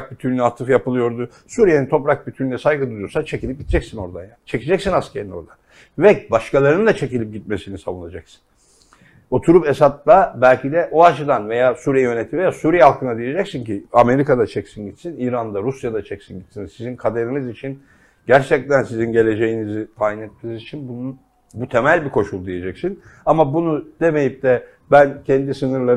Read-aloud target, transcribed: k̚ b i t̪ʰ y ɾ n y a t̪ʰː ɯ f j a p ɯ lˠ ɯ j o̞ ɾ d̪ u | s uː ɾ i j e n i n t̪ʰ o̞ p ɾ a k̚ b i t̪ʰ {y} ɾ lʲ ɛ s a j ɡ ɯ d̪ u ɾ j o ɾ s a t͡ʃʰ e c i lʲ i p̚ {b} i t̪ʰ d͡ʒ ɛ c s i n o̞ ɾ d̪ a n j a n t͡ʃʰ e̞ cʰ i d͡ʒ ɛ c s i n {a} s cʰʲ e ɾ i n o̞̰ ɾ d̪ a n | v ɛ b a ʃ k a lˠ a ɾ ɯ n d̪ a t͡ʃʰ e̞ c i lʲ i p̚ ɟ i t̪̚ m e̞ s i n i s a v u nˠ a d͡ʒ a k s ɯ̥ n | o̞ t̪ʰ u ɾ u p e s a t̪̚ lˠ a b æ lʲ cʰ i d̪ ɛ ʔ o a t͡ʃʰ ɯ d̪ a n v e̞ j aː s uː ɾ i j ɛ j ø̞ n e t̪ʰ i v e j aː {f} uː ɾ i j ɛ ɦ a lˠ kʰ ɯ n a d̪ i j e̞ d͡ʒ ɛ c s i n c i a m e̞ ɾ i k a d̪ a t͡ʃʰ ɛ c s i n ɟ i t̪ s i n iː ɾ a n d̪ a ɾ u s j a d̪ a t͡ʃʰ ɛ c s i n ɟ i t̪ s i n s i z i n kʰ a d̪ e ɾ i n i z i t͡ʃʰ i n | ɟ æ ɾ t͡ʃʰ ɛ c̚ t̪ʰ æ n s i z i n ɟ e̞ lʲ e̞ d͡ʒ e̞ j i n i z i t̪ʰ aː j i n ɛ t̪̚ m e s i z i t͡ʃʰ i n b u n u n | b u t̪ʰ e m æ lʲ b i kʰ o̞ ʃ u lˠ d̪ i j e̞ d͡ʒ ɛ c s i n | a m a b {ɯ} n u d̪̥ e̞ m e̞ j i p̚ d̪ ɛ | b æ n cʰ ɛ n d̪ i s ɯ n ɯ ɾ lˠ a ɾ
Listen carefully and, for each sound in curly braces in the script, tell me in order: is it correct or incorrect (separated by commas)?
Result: correct, incorrect, correct, incorrect, incorrect